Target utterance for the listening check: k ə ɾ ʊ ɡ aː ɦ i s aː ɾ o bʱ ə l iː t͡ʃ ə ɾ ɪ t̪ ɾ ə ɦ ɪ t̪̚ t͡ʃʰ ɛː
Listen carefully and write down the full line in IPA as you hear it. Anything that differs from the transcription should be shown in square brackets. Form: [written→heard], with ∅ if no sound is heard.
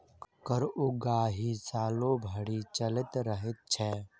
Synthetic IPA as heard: k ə ɾ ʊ ɡ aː ɦ i s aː [ɾ→l] o bʱ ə [l→ɽ] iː t͡ʃ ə [ɾ→l] ɪ t̪ ɾ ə ɦ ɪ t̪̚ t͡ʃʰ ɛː